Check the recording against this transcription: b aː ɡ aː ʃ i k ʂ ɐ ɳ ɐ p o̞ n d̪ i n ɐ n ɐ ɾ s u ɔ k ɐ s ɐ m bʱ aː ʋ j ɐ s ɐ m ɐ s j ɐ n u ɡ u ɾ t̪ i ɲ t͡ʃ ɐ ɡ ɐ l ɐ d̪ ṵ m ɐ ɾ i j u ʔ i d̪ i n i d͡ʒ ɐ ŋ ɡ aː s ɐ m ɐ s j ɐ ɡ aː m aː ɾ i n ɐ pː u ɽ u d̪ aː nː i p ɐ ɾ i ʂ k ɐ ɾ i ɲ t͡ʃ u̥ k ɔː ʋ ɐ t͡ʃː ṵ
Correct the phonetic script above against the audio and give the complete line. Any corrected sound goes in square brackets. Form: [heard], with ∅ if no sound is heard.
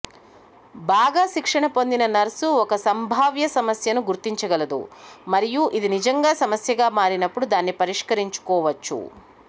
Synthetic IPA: b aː ɡ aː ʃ i k ʂ ɐ ɳ ɐ p o̞ n d̪ i n ɐ n ɐ ɾ s u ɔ k ɐ s ɐ m bʱ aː ʋ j ɐ s ɐ m ɐ s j ɐ n u ɡ u ɾ t̪ i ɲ t͡ʃ ɐ ɡ ɐ l ɐ d̪ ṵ m ɐ ɾ i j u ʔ i d̪ i n i d͡ʒ ɐ ŋ ɡ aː s ɐ m ɐ s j ɐ ɡ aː m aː ɾ i n ɐ pː u ɽ u d̪ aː nː i p ɐ ɾ i ʂ k ɐ ɾ i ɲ t͡ʃ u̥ k ɔː ʋ ɐ t͡ʃː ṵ